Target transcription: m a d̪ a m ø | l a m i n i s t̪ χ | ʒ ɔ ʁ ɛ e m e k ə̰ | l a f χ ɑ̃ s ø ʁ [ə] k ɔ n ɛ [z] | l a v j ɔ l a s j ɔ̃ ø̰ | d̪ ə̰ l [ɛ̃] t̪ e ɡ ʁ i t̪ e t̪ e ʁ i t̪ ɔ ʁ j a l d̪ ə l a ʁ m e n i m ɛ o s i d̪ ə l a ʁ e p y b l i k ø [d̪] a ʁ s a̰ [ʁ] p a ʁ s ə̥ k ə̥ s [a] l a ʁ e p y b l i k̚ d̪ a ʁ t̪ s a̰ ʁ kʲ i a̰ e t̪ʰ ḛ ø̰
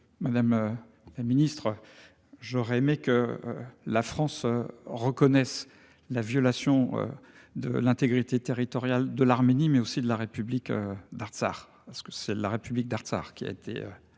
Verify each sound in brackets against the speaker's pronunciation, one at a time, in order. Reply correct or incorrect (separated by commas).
correct, incorrect, correct, correct, correct, incorrect